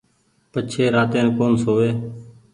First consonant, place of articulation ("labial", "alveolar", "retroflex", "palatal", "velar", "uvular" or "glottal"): labial